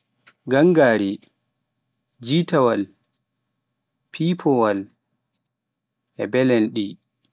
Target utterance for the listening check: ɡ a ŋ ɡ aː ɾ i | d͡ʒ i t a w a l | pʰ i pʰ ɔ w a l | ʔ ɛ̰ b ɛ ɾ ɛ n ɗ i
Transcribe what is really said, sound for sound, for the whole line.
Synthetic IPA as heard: ɡ a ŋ ɡ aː ɾ i | d͡ʒ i t a w a l | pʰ i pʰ ɔ w a l | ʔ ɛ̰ b ɛ l ɛ n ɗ i